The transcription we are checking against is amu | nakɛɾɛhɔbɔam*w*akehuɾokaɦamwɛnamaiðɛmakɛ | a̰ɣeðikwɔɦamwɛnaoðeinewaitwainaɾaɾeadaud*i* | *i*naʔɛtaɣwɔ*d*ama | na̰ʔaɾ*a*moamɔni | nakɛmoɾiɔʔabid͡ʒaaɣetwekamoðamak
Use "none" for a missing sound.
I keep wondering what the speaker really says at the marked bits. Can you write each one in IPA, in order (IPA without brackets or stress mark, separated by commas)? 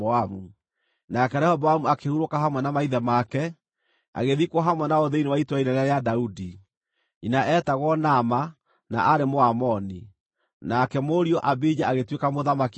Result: u, i, i, n, e